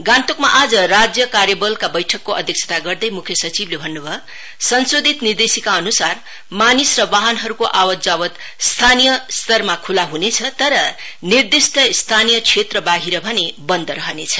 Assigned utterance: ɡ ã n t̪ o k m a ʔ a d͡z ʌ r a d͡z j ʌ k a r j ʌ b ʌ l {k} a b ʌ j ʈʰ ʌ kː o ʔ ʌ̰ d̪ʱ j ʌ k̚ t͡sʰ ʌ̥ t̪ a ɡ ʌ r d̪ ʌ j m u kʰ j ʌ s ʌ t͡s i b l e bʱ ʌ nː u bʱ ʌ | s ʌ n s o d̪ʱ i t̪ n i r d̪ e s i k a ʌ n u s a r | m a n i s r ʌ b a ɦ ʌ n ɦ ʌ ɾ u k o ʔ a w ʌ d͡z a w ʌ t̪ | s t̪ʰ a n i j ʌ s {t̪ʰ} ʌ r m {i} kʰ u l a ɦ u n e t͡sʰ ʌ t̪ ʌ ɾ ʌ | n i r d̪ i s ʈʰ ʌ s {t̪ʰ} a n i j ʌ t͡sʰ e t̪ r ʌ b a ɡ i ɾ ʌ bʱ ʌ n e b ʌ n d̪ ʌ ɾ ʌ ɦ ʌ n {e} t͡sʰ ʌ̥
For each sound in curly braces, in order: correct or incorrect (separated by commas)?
correct, incorrect, incorrect, correct, correct